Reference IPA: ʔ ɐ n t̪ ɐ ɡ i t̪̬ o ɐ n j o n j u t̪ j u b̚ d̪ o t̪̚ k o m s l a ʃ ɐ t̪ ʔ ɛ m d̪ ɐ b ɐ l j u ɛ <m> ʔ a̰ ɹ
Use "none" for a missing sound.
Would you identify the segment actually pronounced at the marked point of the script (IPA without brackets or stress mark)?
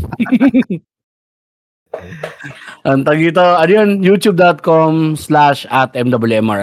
m